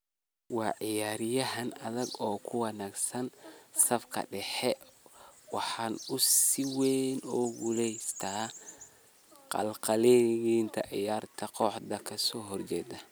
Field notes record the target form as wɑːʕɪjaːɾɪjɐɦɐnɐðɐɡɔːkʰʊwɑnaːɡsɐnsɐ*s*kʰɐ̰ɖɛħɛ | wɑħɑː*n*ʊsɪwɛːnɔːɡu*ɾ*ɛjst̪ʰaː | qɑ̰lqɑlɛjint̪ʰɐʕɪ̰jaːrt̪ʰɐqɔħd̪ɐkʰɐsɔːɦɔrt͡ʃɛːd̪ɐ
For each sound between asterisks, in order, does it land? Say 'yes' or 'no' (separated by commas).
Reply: no, yes, no